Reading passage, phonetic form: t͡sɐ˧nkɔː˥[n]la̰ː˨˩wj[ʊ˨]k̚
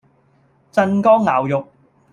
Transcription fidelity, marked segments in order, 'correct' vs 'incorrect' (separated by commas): incorrect, correct